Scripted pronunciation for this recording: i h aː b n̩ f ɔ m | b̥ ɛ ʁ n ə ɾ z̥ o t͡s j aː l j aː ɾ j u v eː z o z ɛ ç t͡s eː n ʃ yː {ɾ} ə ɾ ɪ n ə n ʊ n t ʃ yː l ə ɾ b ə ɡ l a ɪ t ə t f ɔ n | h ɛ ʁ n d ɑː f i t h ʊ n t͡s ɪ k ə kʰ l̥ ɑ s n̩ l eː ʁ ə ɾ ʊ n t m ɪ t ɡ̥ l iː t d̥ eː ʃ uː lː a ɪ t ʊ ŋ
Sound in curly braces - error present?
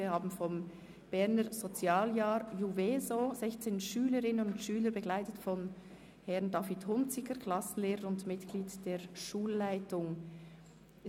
yes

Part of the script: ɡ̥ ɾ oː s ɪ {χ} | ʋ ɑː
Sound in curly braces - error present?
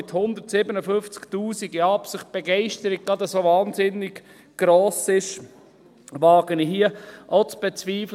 yes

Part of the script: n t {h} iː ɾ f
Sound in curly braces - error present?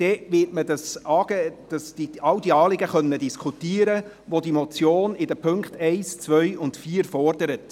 yes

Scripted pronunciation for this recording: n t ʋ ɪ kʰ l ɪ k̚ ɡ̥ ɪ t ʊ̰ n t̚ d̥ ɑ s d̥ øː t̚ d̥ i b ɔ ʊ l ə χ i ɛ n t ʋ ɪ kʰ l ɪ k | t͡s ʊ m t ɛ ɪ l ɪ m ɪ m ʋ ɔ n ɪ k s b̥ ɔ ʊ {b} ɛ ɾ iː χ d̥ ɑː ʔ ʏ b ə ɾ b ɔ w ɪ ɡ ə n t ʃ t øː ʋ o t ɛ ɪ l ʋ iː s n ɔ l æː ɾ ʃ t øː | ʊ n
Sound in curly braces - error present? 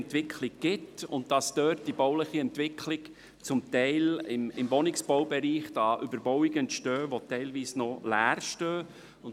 no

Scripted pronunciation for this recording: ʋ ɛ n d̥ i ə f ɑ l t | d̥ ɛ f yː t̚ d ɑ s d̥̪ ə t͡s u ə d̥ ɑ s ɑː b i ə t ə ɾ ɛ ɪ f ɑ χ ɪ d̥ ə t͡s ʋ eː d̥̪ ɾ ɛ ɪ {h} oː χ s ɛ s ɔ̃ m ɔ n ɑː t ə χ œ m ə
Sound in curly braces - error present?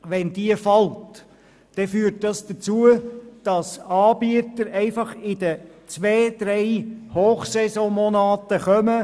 no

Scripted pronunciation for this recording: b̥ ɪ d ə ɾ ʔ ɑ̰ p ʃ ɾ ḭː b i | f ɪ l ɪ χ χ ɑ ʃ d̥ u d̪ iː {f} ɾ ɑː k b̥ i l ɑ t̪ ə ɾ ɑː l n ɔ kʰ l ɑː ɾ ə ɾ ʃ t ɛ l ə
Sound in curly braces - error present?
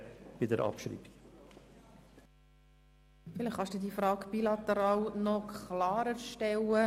no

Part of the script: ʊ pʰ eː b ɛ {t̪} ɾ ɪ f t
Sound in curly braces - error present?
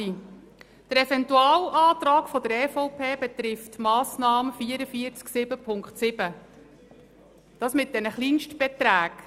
no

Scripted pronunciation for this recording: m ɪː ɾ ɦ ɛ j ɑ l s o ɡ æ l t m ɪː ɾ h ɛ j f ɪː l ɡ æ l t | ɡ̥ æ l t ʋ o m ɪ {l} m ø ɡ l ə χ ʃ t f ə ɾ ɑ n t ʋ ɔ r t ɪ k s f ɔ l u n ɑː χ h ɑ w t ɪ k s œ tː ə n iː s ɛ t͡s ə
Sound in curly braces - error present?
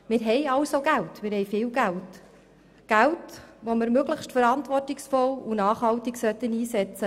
yes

